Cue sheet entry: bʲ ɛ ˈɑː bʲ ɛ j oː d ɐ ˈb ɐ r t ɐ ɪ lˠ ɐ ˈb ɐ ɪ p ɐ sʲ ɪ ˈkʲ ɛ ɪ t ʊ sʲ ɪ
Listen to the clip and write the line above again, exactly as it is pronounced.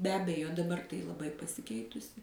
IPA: bʲ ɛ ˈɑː bʲ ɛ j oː d ɐ ˈb ɐ r t ɐ ɪ lˠ ɐ ˈb ɐ ɪ p ɐ sʲ ɪ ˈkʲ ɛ ɪ t ʊ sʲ ɪ